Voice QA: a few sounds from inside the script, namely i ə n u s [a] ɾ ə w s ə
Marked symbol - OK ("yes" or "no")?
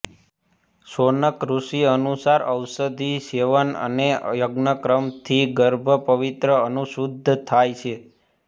yes